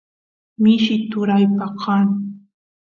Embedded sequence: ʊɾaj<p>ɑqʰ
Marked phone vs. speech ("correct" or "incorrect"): correct